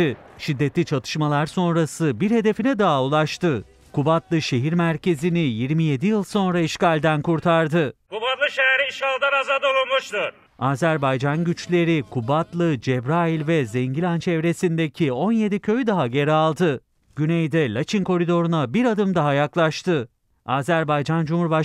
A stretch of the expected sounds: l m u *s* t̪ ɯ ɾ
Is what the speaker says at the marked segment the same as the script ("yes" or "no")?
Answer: no